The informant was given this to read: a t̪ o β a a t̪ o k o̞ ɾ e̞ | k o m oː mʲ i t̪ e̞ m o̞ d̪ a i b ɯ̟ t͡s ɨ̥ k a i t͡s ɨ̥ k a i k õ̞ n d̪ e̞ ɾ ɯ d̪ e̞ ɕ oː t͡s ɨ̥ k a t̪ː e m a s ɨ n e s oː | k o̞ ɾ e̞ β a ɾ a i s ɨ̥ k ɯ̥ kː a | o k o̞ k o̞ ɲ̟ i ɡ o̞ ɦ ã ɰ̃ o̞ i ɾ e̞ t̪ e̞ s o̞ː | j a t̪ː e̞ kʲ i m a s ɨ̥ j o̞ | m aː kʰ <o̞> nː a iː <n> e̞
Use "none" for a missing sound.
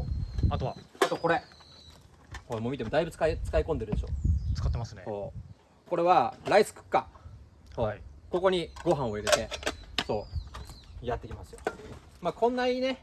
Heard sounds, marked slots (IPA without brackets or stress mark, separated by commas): õ̞, n